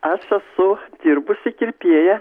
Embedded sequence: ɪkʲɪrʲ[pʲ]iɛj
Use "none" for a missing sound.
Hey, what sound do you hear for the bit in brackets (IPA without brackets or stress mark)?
pʲ